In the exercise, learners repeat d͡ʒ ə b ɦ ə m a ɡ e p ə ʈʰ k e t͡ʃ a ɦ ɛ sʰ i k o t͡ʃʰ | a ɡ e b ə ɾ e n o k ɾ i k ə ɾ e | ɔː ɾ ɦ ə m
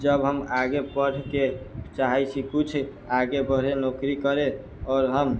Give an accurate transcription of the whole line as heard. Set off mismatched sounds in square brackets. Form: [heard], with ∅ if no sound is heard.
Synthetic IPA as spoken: d͡ʒ ə b ɦ ə m a ɡ e p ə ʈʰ k e t͡ʃ a ɦ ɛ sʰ i k [u] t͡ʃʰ | a ɡ e b ə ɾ e n o k ɾ i k ə ɾ e | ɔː ɾ ɦ ə m